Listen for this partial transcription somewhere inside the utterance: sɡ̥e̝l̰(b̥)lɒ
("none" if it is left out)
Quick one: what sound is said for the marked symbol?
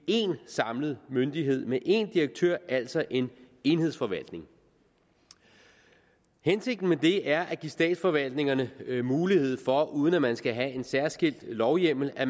d̥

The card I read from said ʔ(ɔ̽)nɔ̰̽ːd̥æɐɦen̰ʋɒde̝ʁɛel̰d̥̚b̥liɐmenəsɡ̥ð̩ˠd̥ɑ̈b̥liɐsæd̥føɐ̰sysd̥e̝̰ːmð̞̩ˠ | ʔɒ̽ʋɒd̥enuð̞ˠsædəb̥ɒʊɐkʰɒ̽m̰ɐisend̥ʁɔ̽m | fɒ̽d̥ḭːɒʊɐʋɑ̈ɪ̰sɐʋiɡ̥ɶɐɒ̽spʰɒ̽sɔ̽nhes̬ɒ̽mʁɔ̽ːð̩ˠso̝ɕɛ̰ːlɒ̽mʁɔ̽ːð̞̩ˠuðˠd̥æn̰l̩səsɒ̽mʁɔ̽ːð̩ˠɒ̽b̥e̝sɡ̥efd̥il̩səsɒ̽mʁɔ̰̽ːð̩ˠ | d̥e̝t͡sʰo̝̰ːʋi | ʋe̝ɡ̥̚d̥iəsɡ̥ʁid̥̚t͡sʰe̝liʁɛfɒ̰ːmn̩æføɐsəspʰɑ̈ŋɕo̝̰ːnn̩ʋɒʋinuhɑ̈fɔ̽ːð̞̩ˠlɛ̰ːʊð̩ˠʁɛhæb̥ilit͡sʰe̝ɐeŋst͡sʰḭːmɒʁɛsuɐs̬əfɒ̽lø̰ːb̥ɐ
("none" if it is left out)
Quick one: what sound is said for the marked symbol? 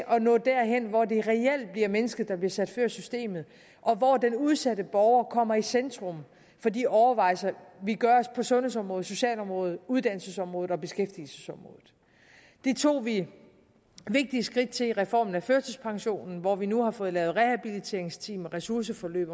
ɒ̽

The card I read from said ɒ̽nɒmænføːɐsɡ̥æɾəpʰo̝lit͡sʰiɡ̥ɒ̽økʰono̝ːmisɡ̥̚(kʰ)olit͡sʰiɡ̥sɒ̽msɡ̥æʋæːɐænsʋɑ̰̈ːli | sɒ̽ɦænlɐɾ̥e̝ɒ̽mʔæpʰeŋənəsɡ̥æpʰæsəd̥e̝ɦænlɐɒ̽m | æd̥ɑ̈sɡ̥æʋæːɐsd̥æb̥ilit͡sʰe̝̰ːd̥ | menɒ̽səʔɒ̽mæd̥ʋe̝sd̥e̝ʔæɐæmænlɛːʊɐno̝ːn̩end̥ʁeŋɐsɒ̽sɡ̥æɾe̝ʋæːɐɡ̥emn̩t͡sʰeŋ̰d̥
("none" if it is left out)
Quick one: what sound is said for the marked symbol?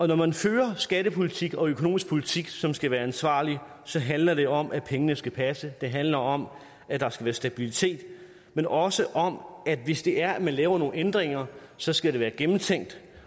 pʰ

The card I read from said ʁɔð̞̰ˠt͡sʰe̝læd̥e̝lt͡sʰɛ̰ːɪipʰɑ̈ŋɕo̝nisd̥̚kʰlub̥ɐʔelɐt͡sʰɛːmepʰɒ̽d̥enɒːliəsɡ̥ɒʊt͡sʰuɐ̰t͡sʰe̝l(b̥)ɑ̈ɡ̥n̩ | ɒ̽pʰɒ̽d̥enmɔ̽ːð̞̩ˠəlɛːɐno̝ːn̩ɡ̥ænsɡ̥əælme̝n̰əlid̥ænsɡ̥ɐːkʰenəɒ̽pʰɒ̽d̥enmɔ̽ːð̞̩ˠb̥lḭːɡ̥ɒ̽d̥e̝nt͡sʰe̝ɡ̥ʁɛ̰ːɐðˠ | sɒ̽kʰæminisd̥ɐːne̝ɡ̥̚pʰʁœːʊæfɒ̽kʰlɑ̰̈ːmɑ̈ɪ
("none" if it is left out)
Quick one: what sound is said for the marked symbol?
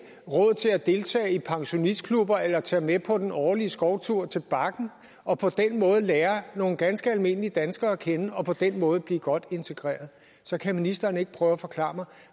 b̥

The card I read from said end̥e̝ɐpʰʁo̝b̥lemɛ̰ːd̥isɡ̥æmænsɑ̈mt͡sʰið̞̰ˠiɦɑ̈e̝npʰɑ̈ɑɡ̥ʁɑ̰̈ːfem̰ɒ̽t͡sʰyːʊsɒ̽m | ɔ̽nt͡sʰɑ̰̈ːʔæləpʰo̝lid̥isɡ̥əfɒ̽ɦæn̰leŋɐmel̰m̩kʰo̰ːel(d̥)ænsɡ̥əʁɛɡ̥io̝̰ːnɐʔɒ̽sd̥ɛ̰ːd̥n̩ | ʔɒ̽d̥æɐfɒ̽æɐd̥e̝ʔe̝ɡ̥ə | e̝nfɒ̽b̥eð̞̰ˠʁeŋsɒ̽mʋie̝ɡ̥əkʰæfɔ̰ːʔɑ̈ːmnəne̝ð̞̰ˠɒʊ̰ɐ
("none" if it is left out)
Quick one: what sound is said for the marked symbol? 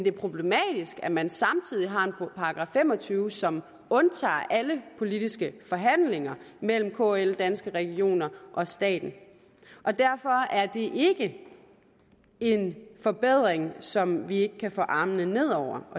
d̥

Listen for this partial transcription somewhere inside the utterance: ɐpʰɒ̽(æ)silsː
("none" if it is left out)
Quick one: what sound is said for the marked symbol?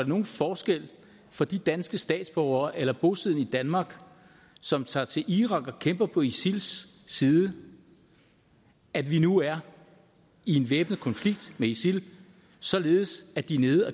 i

